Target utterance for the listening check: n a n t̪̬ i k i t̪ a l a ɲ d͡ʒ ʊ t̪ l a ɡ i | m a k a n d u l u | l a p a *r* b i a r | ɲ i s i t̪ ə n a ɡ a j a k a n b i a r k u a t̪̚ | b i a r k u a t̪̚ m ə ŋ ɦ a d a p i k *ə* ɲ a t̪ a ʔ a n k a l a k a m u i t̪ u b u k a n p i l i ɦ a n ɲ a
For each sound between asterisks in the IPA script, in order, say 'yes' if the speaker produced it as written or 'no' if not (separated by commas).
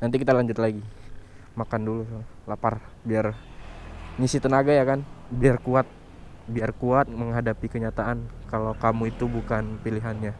yes, yes